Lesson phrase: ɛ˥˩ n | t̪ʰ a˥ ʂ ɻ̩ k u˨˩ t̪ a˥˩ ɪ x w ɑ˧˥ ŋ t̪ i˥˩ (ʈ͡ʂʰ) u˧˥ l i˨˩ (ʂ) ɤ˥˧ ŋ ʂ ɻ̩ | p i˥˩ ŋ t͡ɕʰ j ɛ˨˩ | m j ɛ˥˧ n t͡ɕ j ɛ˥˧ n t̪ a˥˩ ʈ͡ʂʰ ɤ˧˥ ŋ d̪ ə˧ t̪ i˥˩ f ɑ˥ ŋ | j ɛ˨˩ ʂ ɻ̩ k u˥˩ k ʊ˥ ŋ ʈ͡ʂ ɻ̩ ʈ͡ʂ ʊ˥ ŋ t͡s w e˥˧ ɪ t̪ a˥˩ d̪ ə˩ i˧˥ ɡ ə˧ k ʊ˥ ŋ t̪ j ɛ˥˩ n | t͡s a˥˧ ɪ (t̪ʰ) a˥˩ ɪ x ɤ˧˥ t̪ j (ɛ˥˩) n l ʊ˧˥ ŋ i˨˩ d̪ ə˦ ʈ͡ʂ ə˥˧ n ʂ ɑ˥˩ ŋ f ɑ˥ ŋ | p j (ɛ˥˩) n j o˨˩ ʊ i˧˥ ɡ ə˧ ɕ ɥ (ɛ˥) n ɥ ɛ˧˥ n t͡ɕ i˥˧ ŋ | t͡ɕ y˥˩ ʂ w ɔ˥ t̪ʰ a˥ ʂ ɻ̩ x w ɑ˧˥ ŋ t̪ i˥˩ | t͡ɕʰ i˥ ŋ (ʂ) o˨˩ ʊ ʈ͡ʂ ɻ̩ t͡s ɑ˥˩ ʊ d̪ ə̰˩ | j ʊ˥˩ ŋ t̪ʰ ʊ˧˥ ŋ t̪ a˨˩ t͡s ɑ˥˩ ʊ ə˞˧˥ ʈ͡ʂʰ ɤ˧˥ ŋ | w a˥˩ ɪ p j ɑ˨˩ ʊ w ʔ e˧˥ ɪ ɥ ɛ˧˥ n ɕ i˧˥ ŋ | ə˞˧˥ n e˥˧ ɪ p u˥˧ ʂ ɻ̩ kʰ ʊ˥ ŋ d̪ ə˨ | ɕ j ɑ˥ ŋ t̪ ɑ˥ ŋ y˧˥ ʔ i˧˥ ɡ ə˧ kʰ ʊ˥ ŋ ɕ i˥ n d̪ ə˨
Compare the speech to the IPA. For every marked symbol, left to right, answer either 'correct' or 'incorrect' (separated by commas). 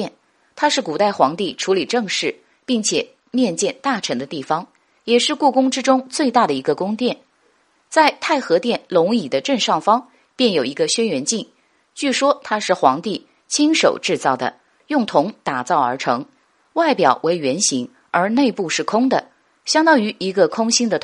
correct, incorrect, correct, correct, correct, correct, correct